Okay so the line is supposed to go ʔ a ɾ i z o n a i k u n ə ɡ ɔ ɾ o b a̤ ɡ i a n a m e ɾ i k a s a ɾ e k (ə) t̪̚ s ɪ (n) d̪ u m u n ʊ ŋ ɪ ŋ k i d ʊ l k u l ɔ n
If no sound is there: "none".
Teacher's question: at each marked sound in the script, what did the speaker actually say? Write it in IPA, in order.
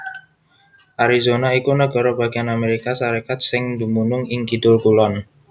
a, ŋ

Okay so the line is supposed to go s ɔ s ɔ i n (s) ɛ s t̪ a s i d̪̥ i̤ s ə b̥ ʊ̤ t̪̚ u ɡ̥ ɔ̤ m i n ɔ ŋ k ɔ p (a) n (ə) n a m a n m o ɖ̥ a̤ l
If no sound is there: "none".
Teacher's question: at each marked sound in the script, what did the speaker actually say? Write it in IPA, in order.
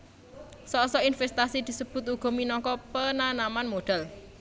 f, ə, a

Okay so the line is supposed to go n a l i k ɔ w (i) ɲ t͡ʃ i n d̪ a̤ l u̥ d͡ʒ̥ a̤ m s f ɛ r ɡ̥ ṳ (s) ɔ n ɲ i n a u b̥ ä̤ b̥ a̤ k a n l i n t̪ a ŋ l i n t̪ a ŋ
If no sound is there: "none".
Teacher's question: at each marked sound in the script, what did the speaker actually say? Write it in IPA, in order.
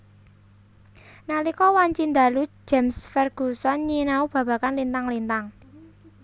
a, s

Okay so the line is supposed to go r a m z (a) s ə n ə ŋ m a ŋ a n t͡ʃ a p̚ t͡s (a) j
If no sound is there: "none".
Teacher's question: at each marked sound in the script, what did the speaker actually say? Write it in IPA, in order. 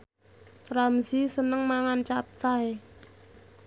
i, a

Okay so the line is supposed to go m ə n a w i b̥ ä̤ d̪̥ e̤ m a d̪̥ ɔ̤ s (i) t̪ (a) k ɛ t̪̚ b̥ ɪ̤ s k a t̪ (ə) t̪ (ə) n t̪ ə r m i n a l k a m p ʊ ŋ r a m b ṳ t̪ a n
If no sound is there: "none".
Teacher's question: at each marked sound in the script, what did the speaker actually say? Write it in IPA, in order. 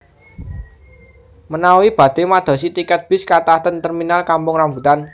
i, i, a, ə

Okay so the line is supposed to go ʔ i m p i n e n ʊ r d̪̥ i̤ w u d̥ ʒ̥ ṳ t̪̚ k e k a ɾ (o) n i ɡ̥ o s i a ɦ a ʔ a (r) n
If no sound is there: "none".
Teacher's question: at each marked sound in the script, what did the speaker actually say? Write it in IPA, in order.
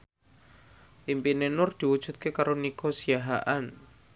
o, none

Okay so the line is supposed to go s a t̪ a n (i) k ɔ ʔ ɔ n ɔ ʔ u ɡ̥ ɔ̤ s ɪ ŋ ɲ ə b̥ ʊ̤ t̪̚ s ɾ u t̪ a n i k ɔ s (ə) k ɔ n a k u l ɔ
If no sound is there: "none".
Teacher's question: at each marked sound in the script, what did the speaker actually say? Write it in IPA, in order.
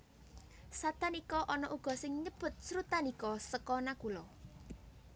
i, ə

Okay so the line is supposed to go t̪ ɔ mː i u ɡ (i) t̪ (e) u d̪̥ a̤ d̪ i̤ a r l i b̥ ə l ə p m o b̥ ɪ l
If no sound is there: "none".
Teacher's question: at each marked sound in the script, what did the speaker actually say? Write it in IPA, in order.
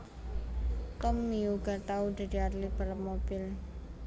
a, a

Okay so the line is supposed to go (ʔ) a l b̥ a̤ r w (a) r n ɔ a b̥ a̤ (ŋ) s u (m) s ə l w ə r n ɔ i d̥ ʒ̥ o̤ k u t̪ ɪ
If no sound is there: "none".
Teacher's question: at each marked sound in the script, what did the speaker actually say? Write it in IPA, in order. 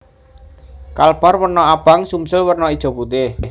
k, ə, ŋ, m

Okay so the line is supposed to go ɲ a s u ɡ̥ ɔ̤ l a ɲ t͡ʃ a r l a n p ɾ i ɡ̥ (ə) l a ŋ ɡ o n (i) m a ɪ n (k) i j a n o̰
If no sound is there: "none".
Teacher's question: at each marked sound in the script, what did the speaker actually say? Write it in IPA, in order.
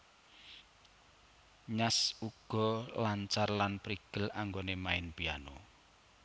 ə, e, p

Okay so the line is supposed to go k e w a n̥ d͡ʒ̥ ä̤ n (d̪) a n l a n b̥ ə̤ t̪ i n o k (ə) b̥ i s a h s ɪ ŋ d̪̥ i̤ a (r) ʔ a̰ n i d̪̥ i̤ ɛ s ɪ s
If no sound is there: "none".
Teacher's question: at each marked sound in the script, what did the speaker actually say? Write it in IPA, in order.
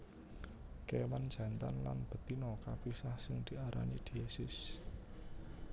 t̪, a, ɾ

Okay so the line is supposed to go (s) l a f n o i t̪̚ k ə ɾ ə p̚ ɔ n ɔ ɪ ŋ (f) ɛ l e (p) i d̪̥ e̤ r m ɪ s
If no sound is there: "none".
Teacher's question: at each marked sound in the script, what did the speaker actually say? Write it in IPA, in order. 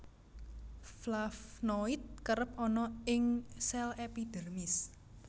f, s, p

